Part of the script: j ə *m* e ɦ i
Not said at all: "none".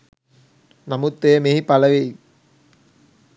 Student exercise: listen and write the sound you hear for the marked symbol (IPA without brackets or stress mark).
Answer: m